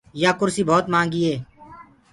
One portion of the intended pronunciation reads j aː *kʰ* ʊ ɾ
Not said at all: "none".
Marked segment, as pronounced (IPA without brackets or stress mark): k